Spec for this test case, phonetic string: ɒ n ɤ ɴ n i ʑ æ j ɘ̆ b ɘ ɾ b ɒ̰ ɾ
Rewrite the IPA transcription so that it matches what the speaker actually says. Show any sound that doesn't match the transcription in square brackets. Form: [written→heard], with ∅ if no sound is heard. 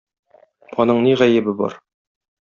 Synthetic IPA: ɒ n ɤ ɴ n i [ʑ→ʁ] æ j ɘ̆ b ɘ [ɾ→∅] b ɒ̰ ɾ